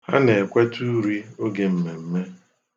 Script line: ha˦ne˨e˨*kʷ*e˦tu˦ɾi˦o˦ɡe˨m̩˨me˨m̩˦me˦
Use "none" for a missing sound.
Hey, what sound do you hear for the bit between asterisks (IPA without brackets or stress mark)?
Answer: kʷ